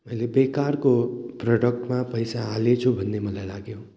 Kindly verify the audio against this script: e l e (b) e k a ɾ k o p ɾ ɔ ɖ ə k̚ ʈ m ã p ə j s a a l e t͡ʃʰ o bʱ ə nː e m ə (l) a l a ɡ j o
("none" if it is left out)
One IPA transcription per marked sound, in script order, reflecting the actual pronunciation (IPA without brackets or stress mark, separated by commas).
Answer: b, l